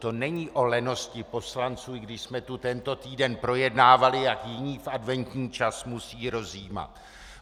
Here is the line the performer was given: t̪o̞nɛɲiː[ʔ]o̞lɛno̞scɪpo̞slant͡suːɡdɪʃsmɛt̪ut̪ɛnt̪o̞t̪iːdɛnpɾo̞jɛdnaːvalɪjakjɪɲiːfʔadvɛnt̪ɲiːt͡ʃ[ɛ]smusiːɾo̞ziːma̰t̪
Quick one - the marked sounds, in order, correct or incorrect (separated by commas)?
correct, incorrect